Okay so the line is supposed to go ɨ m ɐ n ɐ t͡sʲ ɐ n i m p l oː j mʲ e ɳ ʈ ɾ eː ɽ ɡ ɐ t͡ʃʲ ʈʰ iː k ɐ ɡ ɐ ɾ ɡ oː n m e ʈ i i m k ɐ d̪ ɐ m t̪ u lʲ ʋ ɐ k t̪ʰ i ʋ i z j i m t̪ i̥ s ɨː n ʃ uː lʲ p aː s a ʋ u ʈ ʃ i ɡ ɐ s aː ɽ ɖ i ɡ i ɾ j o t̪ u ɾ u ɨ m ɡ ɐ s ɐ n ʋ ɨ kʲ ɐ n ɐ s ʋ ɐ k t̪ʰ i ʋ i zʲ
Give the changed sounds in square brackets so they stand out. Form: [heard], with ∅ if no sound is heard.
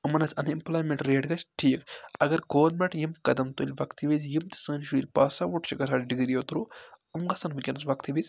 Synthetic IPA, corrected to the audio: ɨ m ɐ n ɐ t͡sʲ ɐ n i m p l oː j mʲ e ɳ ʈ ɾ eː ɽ ɡ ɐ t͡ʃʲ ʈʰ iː k ɐ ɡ ɐ ɾ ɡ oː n m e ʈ [j] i m k ɐ d̪ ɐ m t̪ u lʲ ʋ ɐ k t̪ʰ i ʋ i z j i m t̪ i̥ s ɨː n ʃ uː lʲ p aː s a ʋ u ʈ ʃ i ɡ ɐ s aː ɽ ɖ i ɡ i ɾ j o t̪ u ɾ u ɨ m ɡ ɐ s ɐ n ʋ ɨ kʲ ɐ n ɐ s ʋ ɐ k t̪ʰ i ʋ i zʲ